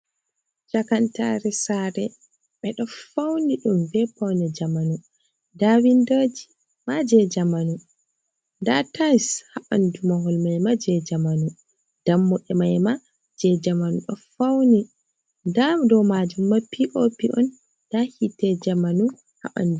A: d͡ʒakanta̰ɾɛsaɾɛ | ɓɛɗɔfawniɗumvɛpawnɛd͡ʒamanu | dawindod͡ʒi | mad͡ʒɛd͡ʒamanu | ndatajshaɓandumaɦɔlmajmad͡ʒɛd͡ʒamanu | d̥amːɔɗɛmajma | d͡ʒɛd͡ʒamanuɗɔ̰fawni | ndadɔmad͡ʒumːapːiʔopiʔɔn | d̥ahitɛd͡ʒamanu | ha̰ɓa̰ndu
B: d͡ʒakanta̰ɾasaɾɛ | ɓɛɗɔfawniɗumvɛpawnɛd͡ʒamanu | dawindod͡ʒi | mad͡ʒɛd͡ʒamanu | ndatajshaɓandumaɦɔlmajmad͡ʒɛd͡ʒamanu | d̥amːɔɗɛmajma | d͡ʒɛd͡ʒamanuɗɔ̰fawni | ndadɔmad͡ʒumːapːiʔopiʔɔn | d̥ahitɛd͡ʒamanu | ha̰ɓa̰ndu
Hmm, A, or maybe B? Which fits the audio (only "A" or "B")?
A